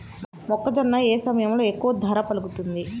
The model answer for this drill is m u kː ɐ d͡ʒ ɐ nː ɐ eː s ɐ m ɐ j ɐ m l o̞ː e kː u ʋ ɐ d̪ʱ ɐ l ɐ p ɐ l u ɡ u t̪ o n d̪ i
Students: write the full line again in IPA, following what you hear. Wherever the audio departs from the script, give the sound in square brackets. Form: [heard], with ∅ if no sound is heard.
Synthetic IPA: m [ɔ] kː ɐ d͡ʒ ɐ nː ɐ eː s ɐ m ɐ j ɐ m l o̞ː e kː u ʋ ɐ d̪ʱ ɐ [ɾ] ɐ p ɐ l u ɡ u t̪ [u] n d̪ i